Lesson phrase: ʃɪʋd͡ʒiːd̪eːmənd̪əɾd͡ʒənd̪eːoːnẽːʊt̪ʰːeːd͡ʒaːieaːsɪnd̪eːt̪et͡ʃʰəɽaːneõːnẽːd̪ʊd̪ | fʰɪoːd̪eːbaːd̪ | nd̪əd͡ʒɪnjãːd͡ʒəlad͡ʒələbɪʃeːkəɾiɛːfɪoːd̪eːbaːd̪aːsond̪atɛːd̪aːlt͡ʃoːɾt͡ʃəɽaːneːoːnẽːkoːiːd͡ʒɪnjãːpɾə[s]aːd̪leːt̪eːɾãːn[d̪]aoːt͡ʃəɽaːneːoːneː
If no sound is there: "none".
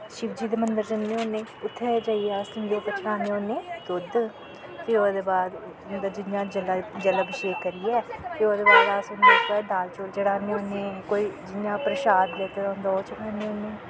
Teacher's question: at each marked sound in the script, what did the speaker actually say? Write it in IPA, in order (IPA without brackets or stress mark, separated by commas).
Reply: ʃ, d̪